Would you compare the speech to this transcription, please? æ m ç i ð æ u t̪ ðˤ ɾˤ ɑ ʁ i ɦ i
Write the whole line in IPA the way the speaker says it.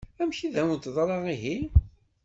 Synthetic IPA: æ m ç i ð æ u t̪ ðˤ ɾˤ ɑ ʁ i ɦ i